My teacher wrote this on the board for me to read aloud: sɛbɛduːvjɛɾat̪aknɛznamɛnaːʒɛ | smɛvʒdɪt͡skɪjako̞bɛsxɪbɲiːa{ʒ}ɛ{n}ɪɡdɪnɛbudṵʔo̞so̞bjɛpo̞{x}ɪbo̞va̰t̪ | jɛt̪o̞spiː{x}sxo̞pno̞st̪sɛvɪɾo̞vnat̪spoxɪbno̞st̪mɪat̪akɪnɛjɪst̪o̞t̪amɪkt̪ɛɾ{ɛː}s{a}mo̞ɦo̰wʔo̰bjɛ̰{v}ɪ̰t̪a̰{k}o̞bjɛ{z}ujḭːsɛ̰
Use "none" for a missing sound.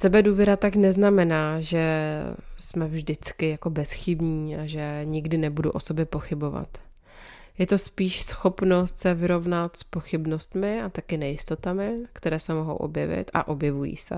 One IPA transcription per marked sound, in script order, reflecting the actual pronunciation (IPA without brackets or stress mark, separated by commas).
ʒ, ɲ, x, ʃ, ɛː, ɛ, v, ʔ, v